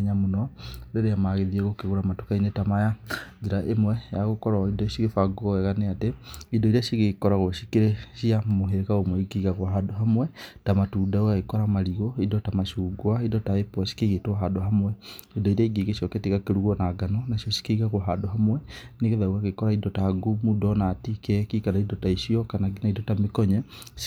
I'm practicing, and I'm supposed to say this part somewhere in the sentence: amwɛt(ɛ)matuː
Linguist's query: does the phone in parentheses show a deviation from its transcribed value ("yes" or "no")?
yes